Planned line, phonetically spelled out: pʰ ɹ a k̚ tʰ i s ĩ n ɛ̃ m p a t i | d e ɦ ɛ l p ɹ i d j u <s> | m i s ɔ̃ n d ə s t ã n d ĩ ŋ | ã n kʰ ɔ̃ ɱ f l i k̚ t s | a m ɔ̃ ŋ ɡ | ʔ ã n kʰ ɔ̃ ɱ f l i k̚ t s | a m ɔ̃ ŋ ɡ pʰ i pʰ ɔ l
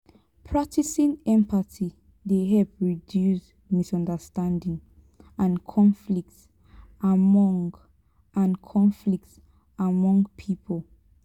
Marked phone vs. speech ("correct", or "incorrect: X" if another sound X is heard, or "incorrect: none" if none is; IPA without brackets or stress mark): correct